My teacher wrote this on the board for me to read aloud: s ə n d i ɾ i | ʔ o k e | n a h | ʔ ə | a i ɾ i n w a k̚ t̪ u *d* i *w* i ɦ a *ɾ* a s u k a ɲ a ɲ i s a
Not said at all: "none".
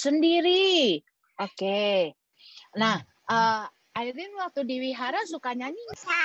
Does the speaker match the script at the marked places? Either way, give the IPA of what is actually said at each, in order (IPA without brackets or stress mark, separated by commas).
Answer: d, w, ɾ